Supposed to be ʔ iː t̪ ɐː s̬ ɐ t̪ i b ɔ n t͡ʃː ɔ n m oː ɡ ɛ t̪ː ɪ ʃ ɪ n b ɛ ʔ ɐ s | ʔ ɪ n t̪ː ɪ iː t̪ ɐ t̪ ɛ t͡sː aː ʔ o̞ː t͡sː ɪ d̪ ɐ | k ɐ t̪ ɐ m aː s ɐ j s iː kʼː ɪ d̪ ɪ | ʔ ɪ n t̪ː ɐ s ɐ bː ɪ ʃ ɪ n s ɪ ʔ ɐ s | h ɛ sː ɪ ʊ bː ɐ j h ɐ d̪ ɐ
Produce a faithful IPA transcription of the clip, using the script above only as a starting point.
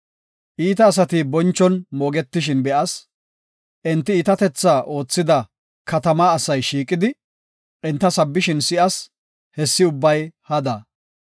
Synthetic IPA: ʔ iː t̪ ɐː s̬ ɐ t̪ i b ɔ n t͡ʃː ɔ n m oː ɡ ɛ t̪ː ɪ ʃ ɪ n b ɛ ʔ ɐ s | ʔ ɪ n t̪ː ɪ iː t̪ ɐ t̪ ɛ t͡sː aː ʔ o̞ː t͡sː ɪ d̪ ɐ | k ɐ t̪ ɐ m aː s ɐ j ʃ iː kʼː ɪ d̪ ɪ | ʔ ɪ n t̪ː ɐ s ɐ bː ɪ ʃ ɪ n s ɪ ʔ ɐ s | h ɛ sː ɪ ʊ bː ɐ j h ɐ d̪ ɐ